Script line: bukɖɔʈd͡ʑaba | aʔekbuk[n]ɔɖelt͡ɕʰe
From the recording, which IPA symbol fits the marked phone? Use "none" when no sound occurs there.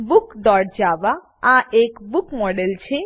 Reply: m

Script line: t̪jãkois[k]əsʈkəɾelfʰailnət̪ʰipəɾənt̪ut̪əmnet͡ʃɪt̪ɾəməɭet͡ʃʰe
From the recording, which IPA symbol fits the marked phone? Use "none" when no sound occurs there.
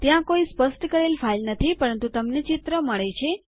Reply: p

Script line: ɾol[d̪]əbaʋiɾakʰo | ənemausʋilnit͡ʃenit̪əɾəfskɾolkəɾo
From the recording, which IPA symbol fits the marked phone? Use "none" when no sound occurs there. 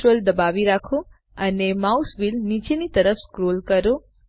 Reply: d̪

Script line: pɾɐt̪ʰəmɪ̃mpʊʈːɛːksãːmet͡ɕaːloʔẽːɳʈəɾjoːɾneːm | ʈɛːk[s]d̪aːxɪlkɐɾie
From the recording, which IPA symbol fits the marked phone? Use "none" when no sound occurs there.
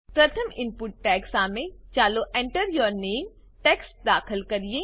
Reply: s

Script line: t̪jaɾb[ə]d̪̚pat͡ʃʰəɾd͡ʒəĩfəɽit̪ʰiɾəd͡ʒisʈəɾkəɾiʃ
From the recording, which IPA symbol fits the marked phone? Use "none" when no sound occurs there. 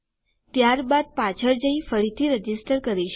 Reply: a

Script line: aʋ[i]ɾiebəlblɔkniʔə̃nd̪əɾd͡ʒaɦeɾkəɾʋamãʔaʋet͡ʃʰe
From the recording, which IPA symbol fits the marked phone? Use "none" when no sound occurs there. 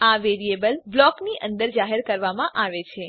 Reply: e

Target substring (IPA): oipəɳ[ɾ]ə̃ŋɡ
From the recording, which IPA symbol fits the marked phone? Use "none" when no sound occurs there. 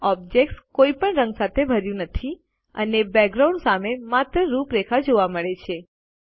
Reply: ɾ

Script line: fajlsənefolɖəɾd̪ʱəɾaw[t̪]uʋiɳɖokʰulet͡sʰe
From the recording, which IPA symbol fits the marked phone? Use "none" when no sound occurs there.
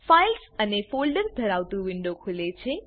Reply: t̪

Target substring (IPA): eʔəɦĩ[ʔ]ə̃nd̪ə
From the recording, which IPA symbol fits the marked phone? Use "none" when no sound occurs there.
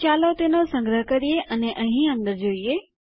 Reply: none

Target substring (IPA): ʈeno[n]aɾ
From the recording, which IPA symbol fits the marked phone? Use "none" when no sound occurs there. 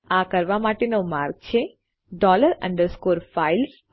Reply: m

